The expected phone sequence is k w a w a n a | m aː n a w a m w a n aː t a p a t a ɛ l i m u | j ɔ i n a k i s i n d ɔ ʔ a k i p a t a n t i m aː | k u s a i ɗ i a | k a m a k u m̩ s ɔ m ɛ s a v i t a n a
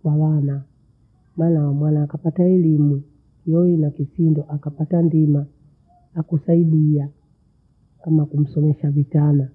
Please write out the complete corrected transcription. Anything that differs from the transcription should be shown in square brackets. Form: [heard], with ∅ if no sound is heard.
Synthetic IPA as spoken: k w a w a n a | m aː n a w a m w a n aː [k] a p a t a ɛ l i m u | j ɔ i n a k i s i n d ɔ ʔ a k [a] p a t a n [d] i m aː | k u s a i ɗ i a | k a m a k u m̩ s ɔ m ɛ [ʃ] a v i t a n a